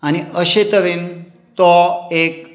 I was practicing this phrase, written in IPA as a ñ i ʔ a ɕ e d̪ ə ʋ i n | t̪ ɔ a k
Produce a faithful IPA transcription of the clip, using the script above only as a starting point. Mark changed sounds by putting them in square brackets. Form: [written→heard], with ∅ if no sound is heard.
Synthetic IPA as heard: a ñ i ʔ [a→ə] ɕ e [d̪→t̪] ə ʋ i n | t̪ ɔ [a→e] k